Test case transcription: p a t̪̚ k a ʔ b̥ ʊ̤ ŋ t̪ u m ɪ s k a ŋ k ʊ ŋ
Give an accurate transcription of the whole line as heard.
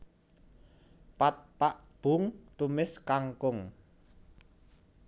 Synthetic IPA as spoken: p a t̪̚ p a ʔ b̥ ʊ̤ ŋ t̪ u m ɪ s k a ŋ k ʊ ŋ